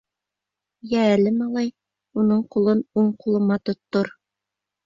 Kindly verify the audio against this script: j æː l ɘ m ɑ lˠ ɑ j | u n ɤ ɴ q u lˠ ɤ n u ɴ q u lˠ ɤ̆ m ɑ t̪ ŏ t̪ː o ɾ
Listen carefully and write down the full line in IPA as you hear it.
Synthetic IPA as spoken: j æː l ɘ m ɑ lˠ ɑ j | u n ɤ ɴ q u lˠ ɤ n u ɴ q u lˠ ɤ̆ m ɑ t̪ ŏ t̪ː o ɾ